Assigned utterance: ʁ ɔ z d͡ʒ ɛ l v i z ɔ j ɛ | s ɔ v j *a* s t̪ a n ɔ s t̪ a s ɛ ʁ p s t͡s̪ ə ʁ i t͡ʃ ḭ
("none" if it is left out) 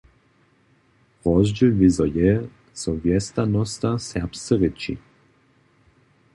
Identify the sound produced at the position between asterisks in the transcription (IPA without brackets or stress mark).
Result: ɛ